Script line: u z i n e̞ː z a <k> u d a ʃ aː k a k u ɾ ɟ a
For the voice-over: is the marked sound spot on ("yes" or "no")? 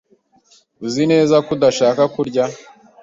yes